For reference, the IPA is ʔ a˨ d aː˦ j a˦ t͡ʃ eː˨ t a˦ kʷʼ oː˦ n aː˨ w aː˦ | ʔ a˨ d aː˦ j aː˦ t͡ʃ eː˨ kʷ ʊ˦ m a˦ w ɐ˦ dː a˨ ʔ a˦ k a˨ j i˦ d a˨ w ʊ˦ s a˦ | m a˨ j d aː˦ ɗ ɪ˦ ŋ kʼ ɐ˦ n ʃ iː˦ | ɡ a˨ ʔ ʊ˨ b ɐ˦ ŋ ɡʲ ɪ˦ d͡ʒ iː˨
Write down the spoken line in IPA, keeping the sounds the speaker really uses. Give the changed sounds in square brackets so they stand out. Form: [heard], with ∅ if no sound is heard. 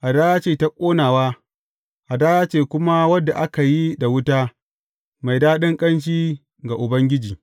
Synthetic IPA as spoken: ʔ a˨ d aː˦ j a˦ t͡ʃ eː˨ t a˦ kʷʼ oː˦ n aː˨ w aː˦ | ʔ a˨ d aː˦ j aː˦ t͡ʃ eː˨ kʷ ʊ˦ m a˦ w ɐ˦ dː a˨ ʔ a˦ k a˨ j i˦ d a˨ w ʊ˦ [t] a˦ | m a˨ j d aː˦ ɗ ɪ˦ ŋ kʼ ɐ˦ n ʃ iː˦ | ɡ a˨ ʔ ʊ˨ b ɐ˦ ŋ ɡʲ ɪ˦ d͡ʒ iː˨

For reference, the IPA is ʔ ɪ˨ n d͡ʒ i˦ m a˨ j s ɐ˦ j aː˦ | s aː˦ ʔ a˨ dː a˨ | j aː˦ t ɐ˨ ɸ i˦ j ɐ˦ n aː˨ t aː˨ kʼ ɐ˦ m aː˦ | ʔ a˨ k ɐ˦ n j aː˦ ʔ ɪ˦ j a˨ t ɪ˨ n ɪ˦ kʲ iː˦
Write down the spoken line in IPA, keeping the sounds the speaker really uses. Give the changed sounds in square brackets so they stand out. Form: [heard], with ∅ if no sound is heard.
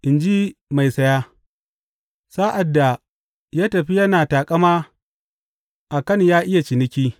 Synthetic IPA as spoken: ʔ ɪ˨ n d͡ʒ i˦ m a˨ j s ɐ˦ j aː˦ | s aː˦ ʔ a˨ dː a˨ | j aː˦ t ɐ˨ ɸ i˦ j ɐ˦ n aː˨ t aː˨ kʼ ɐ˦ m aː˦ | ʔ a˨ k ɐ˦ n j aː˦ ʔ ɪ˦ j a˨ [t͡ʃ] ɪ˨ n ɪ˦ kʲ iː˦

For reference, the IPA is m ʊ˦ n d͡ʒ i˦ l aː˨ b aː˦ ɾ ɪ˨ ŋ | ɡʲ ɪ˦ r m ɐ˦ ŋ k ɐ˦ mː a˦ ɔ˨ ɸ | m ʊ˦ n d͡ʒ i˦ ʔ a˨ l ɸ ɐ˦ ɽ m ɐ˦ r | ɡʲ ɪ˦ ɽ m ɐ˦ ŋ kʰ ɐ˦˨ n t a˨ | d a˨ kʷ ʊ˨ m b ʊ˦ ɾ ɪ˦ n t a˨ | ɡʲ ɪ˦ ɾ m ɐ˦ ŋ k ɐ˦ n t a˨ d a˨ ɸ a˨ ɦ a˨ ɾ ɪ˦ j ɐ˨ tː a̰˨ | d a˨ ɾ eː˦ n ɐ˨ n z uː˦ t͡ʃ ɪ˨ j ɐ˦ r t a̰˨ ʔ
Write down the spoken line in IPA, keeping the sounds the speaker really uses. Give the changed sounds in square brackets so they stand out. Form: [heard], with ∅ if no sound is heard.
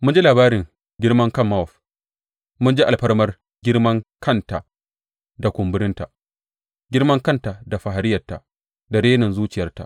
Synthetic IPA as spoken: m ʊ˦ n d͡ʒ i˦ l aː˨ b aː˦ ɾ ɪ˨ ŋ | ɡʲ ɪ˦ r m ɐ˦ ŋ k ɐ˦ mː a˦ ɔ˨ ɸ | m ʊ˦ n d͡ʒ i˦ ʔ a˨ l ɸ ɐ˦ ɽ m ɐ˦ r | ɡʲ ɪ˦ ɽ m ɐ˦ ŋ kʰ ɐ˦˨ n t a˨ | d a˨ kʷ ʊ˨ m b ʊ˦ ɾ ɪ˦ n t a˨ | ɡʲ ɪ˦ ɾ m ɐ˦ ŋ k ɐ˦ n t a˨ d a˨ ɸ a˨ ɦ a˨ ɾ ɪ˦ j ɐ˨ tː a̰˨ | d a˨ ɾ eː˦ n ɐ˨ n z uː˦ t͡ʃ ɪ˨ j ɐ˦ r t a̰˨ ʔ

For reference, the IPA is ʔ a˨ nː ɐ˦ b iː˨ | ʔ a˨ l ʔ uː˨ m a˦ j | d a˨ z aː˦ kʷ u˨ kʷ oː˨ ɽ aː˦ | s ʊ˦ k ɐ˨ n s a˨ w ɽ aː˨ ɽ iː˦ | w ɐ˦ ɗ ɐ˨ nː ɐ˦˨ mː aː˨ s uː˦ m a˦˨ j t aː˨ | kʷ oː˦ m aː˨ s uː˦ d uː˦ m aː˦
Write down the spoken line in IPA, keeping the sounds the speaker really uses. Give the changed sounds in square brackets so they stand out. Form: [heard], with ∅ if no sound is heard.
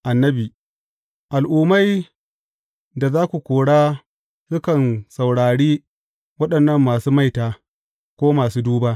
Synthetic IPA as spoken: ʔ a˨ nː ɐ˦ b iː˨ | ʔ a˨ l ʔ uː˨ m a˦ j | d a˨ z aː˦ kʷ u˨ kʷ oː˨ ɽ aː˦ | s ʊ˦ k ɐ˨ n s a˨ w ɽ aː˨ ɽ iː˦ | w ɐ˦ ɗ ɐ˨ nː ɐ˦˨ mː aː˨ s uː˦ m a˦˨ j t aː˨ | kʷ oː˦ m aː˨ s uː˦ d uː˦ [b] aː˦

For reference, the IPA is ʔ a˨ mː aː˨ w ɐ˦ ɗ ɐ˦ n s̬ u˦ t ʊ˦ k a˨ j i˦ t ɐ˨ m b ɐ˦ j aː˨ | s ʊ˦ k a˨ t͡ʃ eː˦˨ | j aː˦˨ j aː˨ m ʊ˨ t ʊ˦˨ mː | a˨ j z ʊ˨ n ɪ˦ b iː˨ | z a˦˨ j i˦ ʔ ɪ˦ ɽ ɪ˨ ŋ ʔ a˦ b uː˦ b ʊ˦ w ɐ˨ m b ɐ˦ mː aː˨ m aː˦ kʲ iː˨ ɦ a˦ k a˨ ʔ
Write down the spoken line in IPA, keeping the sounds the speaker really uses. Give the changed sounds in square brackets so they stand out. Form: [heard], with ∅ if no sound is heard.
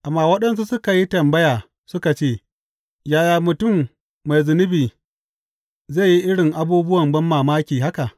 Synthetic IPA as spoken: ʔ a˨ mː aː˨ w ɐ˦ ɗ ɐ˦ n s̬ u˦ [s] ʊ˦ k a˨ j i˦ t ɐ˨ m b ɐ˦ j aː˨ | s ʊ˦ k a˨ t͡ʃ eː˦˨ | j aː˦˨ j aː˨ m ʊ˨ t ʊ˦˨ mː | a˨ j z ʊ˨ n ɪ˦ b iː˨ | z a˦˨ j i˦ ʔ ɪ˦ ɽ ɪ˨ ŋ ʔ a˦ b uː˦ b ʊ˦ w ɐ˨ m b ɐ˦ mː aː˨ m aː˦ kʲ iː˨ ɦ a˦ k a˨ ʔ

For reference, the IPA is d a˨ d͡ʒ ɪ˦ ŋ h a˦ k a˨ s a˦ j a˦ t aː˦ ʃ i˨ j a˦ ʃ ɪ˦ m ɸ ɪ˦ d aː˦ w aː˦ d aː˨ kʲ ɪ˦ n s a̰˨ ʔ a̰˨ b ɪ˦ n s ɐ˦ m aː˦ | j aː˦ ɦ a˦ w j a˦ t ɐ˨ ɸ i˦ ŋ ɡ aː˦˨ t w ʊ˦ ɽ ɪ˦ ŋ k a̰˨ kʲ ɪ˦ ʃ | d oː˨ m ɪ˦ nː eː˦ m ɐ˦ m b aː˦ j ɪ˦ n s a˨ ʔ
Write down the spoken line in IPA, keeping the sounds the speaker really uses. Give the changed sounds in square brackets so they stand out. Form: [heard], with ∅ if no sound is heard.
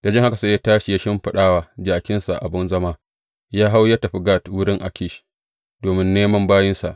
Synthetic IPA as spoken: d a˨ d͡ʒ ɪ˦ ŋ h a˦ k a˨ s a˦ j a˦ t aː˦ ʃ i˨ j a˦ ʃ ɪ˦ m ɸ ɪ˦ [ɗ] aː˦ w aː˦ [d͡ʒ] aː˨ kʲ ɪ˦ n s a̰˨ ʔ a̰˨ b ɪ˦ n [z] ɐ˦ m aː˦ | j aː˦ ɦ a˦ w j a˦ t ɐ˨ ɸ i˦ [∅] ɡ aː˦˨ t w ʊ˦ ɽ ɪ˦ ŋ [ʔ] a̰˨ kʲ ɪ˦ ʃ | d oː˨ m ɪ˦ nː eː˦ m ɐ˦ m b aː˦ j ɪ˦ n s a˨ ʔ

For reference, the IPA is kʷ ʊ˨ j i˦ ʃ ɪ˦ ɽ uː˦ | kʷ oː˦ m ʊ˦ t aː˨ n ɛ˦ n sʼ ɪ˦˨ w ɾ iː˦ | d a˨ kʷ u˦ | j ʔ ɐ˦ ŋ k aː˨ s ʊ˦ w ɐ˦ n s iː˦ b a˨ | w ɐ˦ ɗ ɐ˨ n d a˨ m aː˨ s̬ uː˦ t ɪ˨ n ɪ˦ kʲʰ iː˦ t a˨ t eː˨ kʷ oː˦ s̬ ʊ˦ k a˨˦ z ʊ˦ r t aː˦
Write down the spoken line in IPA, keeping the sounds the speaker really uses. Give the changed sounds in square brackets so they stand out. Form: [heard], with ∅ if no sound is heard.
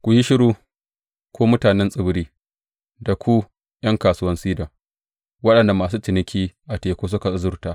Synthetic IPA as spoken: kʷ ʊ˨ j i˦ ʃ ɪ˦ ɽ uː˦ | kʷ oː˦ m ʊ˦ t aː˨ n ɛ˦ n sʼ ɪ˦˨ [b] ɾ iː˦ | d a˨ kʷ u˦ | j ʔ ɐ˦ ŋ k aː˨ s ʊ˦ w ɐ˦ n s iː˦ [d] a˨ | w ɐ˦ ɗ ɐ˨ n d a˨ m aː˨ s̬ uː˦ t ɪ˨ n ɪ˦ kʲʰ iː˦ [ʔ] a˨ t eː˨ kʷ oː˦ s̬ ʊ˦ k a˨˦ z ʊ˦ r t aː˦

